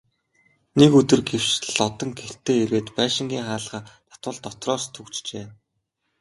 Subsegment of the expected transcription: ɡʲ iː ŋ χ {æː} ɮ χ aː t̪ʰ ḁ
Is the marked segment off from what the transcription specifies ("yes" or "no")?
yes